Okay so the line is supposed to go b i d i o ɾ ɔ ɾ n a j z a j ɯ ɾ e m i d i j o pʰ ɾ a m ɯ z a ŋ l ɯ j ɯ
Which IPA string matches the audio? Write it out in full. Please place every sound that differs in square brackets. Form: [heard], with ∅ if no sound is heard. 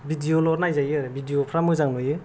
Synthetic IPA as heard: b i d i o [l] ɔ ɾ n a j z a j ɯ ɾ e [b] i d i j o pʰ ɾ a m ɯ z a ŋ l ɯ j ɯ